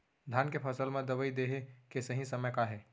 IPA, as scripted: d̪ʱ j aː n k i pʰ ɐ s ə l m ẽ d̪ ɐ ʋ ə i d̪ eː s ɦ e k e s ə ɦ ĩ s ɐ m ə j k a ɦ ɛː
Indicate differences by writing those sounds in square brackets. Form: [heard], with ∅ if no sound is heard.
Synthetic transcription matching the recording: d̪ʱ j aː n k [e] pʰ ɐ s ə l m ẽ d̪ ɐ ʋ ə i d̪ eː [∅] ɦ e k e s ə ɦ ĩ s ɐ m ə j k a ɦ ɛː